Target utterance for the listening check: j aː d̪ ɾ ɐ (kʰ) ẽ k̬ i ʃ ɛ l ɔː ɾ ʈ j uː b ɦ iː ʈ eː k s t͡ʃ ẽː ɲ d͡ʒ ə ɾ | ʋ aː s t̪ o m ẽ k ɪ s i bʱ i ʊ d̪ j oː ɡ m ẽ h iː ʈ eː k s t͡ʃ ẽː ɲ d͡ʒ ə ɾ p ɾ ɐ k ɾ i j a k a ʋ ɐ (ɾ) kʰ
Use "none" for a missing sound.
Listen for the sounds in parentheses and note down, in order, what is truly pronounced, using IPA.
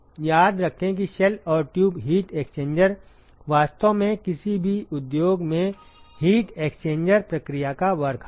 kʰ, ɾ

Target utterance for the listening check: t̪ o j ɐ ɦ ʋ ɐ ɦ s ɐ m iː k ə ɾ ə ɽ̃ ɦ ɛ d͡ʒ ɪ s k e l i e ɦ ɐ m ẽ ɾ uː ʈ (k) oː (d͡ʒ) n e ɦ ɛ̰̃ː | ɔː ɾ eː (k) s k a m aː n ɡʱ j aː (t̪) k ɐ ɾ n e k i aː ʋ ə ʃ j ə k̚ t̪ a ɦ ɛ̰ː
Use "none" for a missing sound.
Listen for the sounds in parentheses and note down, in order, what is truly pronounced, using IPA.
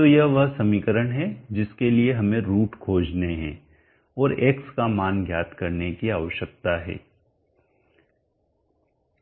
kʰ, d͡ʒ, k, t̪

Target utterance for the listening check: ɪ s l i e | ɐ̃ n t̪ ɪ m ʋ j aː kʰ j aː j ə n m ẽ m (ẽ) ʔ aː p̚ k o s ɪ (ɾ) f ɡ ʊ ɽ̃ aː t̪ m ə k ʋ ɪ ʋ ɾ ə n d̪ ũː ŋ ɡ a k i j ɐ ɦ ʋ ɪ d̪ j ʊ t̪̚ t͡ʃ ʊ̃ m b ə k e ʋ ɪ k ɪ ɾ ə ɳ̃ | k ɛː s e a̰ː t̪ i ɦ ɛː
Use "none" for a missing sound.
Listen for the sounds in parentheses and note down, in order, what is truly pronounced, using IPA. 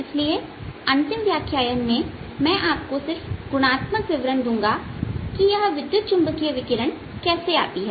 ɛ̃, ɾ

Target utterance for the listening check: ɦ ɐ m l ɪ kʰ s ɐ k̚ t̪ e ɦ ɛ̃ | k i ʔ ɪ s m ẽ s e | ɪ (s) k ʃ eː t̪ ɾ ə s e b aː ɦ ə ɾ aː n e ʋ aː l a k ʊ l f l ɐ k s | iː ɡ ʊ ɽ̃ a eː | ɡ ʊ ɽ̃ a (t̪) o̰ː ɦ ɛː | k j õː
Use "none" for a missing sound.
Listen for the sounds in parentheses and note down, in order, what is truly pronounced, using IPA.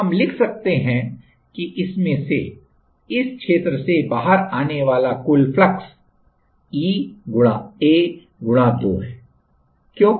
s, d̪

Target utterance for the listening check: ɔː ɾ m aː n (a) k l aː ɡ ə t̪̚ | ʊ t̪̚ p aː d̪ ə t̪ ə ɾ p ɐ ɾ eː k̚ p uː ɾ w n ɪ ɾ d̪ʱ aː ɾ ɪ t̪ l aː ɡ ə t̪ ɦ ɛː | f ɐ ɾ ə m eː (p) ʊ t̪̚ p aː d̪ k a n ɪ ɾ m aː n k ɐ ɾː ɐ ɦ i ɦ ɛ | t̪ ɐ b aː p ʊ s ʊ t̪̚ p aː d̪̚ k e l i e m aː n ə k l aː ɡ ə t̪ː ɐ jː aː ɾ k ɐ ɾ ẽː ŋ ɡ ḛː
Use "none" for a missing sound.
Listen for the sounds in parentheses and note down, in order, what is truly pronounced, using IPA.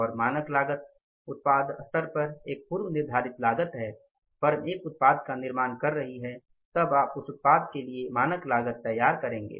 ə, k

